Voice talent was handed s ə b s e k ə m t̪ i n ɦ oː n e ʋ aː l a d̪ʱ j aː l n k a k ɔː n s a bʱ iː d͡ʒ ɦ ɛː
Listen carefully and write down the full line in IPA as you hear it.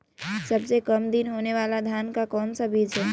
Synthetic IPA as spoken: s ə b s e k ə m d̪ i n ɦ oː n e ʋ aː l a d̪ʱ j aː n k a k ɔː n s a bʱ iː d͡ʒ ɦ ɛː